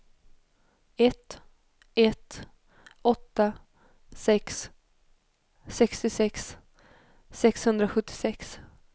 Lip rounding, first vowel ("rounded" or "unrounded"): unrounded